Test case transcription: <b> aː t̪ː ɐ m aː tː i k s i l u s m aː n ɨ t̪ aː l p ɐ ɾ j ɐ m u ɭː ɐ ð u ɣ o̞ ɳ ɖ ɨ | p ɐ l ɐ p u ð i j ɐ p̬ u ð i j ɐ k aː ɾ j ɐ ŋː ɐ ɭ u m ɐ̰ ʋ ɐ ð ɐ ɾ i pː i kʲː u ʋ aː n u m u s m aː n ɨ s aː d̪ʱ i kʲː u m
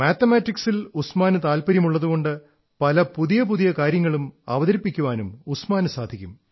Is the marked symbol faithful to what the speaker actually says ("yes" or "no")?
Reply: no